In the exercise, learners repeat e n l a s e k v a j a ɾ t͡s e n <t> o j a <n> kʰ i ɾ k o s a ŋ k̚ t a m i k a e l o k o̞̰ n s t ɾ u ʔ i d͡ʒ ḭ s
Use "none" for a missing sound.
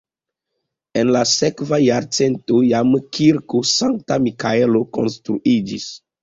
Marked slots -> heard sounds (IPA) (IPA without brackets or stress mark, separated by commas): t, m